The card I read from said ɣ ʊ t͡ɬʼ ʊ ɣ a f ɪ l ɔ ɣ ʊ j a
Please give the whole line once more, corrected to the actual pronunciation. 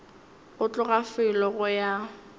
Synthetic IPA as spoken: ɣ ʊ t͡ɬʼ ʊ ɣ a f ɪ l ɔ ɣ ʊ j a